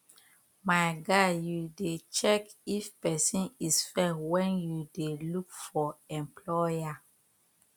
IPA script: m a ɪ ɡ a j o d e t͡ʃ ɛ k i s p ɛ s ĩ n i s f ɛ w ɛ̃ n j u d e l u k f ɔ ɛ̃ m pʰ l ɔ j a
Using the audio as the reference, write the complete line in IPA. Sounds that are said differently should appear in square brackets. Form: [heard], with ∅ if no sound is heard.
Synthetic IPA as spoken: m a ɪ ɡ a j [u] d e t͡ʃ ɛ k i [f] p ɛ s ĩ n i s f ɛ w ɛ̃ n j u d e l u k f ɔ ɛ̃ m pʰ l ɔ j a